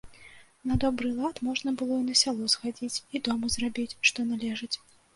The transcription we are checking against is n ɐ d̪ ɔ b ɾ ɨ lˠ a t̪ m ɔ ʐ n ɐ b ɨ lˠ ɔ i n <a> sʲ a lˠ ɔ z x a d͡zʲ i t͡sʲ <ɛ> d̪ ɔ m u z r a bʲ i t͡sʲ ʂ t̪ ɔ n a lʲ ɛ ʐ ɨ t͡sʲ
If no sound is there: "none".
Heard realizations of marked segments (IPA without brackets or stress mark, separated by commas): ɐ, i